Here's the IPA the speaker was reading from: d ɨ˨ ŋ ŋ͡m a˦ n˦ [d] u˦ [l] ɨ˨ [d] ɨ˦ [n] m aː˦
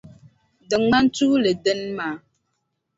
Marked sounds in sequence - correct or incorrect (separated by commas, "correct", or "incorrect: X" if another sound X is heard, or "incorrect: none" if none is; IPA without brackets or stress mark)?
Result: incorrect: t, correct, correct, correct